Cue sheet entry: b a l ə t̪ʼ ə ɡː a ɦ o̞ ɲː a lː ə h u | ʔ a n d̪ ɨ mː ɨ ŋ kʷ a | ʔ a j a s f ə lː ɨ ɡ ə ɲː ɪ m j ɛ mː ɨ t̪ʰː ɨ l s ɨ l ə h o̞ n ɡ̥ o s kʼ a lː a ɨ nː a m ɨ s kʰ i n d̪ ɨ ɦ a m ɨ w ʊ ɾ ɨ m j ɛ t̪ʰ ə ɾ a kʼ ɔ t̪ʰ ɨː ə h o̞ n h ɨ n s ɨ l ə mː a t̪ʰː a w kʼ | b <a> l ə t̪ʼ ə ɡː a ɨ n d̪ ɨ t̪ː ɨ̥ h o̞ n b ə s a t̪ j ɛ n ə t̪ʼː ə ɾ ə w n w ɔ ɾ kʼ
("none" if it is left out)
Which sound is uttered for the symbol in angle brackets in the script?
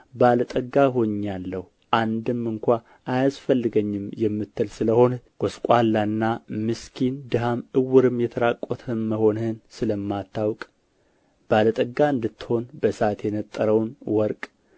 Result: a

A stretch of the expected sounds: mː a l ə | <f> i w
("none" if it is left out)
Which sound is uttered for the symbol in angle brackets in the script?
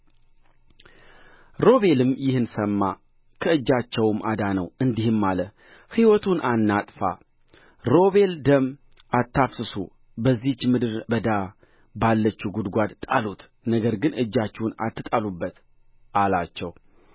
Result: h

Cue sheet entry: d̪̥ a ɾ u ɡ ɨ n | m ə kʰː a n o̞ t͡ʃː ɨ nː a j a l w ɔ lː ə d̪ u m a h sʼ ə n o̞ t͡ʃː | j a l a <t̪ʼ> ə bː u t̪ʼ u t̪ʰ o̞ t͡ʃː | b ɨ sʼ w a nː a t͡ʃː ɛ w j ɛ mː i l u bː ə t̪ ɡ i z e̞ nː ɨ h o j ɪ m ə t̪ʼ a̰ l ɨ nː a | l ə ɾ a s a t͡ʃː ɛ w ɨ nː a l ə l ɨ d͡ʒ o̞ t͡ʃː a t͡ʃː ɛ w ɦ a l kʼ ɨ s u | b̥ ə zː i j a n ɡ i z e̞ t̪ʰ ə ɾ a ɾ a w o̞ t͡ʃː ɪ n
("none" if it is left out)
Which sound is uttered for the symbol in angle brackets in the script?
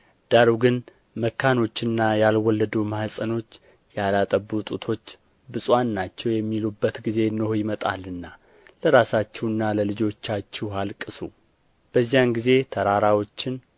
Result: t̪ʼ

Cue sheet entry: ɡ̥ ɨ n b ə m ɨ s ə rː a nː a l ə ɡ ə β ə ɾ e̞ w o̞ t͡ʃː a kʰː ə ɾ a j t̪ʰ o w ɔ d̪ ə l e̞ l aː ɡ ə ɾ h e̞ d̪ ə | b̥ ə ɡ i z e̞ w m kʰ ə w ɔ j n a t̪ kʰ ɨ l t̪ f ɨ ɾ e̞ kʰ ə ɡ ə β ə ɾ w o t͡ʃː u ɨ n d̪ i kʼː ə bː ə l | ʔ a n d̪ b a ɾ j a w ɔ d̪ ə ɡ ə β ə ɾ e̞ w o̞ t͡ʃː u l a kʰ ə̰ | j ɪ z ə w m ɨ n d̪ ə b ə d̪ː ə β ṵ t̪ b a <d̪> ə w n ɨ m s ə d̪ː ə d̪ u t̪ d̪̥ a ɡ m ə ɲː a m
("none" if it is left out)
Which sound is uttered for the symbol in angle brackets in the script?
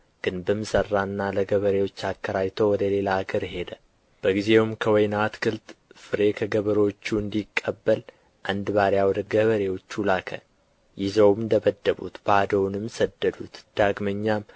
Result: d̪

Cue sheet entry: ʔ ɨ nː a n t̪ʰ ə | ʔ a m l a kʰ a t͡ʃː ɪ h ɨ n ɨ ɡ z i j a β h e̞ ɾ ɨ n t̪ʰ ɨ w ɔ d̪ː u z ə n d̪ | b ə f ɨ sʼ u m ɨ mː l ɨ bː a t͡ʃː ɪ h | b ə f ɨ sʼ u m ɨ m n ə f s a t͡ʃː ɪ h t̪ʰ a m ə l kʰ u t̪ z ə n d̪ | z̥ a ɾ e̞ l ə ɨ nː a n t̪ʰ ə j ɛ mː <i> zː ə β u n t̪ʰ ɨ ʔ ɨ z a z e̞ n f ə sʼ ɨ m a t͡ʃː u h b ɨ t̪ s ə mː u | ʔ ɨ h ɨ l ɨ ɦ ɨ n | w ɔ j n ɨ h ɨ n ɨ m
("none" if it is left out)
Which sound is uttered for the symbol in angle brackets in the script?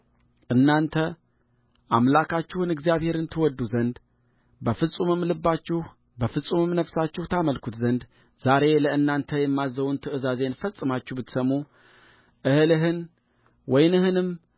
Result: a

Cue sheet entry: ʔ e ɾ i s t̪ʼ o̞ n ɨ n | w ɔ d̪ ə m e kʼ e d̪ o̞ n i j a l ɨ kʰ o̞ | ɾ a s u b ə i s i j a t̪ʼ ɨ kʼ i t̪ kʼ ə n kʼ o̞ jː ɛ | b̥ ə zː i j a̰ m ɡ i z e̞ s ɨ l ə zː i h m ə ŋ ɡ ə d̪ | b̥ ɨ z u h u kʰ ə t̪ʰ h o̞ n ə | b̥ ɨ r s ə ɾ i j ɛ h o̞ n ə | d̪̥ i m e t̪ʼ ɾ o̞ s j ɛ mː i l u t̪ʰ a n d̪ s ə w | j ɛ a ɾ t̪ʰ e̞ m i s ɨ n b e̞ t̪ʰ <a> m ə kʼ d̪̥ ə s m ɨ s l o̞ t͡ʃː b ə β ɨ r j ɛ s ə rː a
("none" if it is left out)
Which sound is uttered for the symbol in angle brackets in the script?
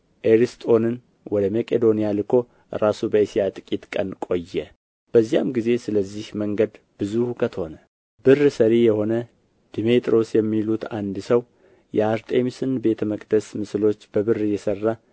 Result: ə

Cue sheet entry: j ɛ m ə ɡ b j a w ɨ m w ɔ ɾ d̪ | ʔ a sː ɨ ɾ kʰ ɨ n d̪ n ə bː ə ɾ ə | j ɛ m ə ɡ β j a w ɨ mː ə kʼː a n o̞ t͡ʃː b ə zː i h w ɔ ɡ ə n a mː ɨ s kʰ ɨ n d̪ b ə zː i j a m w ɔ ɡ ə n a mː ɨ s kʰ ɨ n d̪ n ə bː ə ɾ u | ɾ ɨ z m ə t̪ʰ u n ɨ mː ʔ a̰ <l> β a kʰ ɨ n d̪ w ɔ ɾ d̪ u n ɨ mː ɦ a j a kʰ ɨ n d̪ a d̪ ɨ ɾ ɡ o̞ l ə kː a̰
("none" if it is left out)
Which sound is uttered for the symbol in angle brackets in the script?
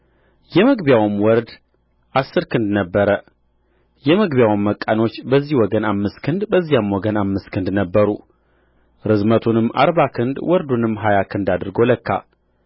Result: ɾ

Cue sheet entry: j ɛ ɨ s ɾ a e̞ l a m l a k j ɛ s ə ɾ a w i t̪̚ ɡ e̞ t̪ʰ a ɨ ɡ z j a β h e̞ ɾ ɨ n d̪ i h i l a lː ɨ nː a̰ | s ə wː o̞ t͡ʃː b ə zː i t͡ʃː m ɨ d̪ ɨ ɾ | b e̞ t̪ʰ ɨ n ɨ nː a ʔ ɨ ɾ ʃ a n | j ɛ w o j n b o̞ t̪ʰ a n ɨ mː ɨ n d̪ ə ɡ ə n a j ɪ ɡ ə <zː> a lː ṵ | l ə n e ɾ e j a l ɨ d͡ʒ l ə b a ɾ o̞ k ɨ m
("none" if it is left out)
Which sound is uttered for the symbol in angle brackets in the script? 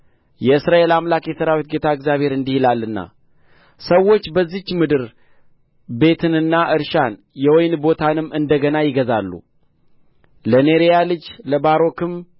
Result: z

